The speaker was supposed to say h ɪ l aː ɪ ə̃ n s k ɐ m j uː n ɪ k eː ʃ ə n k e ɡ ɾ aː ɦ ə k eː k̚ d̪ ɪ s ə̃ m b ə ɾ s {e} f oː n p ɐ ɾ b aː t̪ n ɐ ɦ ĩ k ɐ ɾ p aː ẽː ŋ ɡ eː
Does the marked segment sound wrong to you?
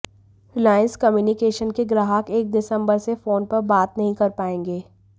no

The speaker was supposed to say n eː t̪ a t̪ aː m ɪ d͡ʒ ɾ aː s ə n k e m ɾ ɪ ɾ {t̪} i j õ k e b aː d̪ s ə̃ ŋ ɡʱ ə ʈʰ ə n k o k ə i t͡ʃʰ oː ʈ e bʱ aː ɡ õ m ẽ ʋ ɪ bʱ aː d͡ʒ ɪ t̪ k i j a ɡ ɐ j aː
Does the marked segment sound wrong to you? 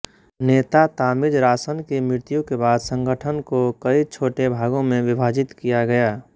no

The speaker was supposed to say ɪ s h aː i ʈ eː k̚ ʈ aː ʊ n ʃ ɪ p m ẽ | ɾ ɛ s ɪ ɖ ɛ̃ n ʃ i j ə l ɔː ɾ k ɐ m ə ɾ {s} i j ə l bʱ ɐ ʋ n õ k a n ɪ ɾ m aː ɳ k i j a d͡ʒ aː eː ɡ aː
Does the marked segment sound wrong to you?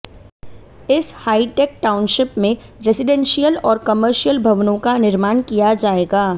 yes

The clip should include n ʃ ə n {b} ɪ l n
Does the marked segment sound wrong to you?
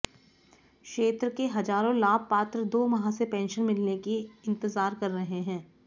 yes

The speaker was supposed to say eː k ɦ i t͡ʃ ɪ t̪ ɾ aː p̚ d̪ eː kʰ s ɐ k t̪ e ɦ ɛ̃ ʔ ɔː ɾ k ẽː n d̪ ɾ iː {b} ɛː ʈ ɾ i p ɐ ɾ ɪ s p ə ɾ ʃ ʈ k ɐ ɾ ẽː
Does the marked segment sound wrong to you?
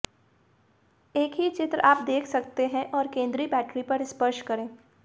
no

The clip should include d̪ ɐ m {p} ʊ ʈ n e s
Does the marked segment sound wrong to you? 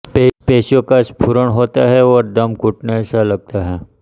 yes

